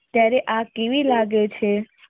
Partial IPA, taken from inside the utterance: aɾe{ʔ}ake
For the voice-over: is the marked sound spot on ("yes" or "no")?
yes